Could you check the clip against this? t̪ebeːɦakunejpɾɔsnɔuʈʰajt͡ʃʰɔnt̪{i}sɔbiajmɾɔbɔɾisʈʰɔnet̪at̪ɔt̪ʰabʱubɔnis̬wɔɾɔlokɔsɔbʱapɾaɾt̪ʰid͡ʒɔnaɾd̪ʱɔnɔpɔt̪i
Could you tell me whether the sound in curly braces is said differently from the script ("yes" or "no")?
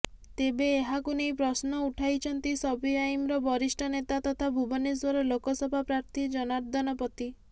no